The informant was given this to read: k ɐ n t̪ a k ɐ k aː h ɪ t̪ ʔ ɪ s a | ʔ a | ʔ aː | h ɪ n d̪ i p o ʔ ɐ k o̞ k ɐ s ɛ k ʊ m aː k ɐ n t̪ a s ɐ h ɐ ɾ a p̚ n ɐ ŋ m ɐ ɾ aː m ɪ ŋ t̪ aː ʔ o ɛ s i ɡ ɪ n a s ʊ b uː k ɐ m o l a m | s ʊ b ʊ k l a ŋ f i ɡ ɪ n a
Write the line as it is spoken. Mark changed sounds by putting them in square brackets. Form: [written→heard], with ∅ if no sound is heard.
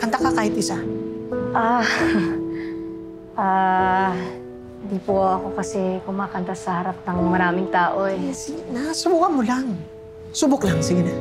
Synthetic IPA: k ɐ n t̪ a k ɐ k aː h ɪ t̪ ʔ ɪ s a | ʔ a | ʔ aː | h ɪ n d̪ i p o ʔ ɐ k o̞ k ɐ s ɛ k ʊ m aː k ɐ n t̪ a s ɐ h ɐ ɾ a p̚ n ɐ ŋ m ɐ ɾ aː m ɪ ŋ t̪ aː ʔ o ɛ s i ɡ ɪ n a s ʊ b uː k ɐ m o l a [m→ŋ] | s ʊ b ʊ k l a ŋ [f→s] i ɡ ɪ n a